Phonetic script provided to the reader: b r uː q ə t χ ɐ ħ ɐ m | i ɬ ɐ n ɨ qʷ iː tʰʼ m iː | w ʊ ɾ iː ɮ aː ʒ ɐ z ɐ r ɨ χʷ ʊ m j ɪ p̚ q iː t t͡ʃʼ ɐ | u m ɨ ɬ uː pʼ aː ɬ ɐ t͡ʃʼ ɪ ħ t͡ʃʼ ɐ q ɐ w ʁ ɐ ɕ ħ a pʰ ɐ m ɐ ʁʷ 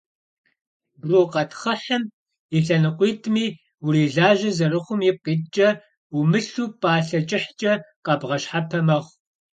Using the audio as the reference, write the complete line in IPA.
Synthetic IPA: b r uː q ɐ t χ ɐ ħ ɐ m | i ɬ ɐ n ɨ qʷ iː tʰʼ m iː | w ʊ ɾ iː ɮ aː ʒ ɐ z ɐ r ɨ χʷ ʊ m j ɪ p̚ q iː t t͡ʃʼ ɐ | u m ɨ ɬ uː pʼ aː ɬ ɐ t͡ʃʼ ɪ ħ t͡ʃʼ ɐ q ɐ b ʁ ɐ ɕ ħ a pʰ ɐ m ɐ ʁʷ